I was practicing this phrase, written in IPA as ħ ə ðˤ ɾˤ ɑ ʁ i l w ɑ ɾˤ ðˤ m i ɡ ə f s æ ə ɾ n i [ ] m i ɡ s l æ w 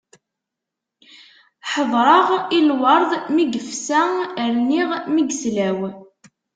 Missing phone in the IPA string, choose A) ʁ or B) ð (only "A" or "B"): A